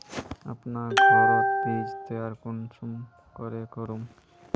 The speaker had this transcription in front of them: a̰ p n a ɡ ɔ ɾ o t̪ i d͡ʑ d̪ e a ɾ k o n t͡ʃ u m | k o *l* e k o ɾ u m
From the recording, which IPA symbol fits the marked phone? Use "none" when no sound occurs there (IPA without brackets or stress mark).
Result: ɾ